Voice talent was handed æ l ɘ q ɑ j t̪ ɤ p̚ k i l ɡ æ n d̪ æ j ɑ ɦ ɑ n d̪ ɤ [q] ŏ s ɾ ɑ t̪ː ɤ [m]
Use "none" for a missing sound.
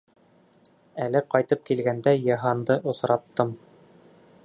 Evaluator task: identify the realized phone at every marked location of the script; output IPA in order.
ʔ, m

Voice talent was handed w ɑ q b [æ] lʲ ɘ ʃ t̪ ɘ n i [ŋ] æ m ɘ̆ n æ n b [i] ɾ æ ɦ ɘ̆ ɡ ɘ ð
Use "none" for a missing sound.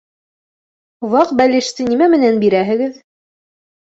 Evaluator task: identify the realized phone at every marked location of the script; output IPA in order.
æ, m, i

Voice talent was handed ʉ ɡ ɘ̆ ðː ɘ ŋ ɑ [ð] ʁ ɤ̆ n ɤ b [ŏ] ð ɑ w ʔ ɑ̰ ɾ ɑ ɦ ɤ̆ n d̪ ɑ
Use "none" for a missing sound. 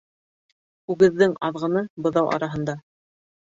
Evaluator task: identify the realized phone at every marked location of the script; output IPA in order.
ð, ɤ̆

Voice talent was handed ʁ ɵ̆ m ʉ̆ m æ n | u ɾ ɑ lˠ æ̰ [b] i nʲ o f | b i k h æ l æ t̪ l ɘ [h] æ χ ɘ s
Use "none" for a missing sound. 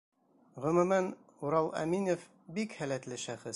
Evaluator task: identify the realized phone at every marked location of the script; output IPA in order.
m, ʃ

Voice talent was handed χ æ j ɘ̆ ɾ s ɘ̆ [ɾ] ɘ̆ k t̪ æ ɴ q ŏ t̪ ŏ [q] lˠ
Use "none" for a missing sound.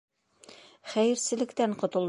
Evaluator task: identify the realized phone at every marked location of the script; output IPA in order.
l, none

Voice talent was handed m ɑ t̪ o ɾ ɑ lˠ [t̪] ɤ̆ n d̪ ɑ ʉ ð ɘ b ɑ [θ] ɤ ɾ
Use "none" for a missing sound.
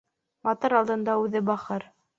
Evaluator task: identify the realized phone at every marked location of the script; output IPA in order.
d̪, χ

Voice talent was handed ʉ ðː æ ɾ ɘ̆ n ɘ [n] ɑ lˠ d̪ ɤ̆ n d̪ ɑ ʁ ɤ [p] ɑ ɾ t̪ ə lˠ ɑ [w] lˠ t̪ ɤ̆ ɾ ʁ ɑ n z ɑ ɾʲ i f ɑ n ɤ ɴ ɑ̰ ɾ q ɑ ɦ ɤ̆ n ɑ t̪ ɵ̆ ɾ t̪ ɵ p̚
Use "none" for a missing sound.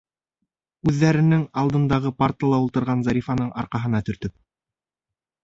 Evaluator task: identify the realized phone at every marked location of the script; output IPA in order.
ŋ, p, u

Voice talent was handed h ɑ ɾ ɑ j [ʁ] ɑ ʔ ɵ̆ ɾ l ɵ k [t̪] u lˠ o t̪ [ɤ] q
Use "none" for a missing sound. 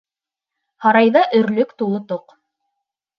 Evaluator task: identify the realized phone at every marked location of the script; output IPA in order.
ð, t̪, o

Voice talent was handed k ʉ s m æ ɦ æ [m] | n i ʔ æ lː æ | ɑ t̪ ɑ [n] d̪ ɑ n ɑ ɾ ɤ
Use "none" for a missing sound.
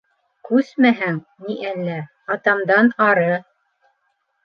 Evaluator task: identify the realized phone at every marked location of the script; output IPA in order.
ŋ, m

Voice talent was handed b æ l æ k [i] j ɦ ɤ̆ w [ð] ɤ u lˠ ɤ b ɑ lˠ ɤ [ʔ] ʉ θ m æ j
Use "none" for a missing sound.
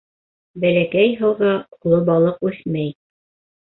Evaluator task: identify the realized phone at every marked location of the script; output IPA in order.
æ, ʁ, q

